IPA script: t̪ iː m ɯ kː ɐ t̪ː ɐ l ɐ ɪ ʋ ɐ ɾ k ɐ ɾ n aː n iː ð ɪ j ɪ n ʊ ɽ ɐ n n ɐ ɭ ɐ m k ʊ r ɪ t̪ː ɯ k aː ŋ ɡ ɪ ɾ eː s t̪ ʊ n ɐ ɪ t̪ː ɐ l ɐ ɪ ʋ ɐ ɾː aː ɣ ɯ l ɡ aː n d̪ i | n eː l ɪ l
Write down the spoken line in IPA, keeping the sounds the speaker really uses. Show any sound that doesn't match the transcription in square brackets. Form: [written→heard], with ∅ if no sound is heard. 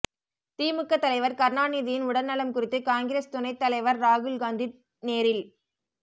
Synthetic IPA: t̪ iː m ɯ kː ɐ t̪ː ɐ l ɐ ɪ ʋ ɐ ɾ k ɐ ɾ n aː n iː ð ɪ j ɪ n ʊ ɽ ɐ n n ɐ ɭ ɐ m k ʊ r ɪ t̪ː ɯ k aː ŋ ɡ ɪ ɾ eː s t̪ ʊ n ɐ ɪ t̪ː ɐ l ɐ ɪ ʋ ɐ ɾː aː ɣ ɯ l ɡ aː n d̪ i | n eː [l→ɾ] ɪ l